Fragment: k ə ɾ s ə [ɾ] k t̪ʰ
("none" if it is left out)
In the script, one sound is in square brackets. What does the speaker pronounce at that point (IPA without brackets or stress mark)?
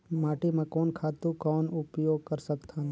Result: none